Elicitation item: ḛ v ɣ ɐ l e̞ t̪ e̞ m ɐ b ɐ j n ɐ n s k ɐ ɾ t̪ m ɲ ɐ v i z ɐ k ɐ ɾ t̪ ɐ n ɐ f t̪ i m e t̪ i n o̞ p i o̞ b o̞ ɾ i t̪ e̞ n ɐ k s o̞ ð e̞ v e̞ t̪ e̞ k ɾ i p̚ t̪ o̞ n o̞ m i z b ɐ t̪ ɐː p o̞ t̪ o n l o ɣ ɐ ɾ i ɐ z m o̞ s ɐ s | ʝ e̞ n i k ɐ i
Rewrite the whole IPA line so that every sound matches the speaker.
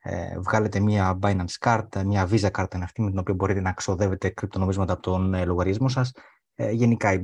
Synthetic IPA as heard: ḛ v ɣ ɐ l e̞ t̪ e̞ m ɐ b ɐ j n ɐ n s k ɐ ɾ t̪ m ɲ ɐ v i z ɐ k ɐ ɾ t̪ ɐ n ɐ f t̪ i m e t̪ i n o̞ p i o̞ b o̞ ɾ i t̪ e̞ n ɐ k s o̞ ð e̞ v e̞ t̪ e̞ k ɾ i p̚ t̪ o̞ n o̞ m i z m ɐ t̪ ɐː p o̞ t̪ o n l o ɣ ɐ ɾ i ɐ z m o̞ s ɐ s | ʝ e̞ n i k ɐ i